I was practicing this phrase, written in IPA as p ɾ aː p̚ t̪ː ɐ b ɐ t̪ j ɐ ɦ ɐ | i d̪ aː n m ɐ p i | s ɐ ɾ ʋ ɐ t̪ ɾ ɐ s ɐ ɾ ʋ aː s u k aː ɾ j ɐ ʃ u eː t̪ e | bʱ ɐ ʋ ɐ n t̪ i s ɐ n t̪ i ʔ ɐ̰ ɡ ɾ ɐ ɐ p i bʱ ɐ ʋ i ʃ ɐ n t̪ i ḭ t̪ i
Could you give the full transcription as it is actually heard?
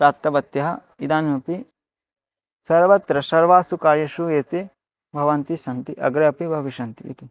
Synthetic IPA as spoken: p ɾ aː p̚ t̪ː ɐ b ɐ t̪ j ɐ ɦ ɐ | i d̪ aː n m ɐ p i | s ɐ ɾ ʋ ɐ t̪ ɾ ɐ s ɐ ɾ ʋ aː s u k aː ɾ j ɐ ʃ u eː t̪ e | bʱ ɐ ʋ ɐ n t̪ i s ɐ n t̪ i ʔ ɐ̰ ɡ ɾ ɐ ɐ p i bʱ ɐ ʋ i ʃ ɐ n t̪ i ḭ t̪ i